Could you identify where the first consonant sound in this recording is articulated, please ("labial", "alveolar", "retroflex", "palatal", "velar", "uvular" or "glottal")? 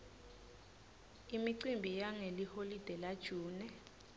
labial